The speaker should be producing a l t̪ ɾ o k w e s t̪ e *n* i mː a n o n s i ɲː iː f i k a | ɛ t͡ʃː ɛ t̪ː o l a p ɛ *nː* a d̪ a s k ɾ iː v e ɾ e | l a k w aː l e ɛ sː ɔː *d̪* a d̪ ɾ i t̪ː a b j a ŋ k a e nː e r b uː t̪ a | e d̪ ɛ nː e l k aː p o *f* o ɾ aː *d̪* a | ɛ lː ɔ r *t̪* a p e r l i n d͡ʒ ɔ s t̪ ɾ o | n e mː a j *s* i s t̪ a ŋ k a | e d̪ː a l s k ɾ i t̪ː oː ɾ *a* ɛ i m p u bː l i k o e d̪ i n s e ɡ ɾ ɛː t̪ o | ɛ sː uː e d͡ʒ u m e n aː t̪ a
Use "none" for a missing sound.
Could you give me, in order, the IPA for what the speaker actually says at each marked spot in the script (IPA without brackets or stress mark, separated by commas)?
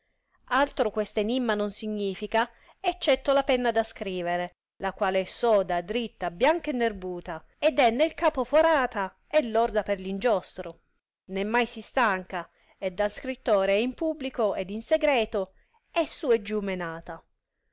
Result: n, nː, d̪, f, t̪, d̪, s, e